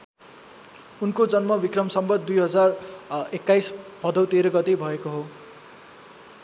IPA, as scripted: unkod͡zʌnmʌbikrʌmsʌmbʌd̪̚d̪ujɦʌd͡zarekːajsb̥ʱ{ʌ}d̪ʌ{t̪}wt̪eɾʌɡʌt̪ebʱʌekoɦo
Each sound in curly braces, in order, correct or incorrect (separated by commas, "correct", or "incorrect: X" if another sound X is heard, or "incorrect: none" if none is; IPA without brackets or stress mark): correct, incorrect: none